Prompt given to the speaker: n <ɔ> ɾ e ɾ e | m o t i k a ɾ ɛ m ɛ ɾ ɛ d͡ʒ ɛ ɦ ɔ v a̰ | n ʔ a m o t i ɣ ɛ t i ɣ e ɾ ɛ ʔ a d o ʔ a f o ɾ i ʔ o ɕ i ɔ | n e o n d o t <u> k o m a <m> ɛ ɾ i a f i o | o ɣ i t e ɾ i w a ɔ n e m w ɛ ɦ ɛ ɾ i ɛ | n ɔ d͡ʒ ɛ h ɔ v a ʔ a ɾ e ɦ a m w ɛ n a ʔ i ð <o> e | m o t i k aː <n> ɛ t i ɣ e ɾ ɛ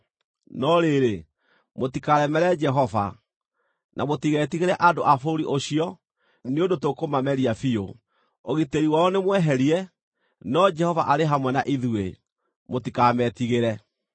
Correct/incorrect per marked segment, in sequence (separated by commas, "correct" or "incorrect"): correct, incorrect, correct, incorrect, incorrect